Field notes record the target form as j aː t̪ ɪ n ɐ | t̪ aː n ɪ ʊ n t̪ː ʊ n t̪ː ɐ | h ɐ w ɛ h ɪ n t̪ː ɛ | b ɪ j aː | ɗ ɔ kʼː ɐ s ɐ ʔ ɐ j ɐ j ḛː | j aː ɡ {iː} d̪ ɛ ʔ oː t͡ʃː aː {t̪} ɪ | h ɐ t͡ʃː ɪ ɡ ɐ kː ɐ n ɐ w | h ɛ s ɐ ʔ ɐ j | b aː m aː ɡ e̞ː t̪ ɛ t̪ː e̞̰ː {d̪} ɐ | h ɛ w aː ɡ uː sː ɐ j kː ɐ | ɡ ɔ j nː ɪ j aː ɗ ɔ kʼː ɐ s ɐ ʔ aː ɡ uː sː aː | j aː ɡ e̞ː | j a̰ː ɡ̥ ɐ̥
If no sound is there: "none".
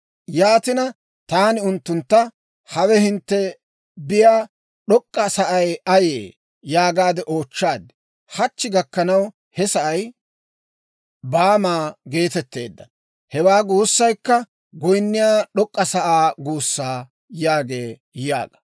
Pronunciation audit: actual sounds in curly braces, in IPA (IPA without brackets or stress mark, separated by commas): aː, d̪, d̪ː